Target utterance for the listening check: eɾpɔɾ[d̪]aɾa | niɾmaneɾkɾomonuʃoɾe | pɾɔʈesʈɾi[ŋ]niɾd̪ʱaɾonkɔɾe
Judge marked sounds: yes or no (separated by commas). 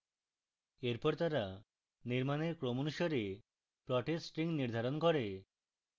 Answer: no, yes